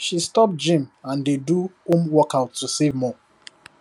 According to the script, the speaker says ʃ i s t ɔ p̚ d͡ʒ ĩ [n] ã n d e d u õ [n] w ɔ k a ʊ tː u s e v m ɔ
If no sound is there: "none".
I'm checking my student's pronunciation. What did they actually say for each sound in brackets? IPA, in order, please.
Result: m, m

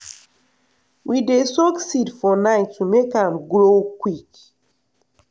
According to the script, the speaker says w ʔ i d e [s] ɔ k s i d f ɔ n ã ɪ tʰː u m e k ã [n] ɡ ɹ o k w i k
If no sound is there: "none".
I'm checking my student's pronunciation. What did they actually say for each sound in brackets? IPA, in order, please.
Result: s, m

